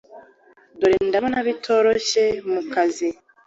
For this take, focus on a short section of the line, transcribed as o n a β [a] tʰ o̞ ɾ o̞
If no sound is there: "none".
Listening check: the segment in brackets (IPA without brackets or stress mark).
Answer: i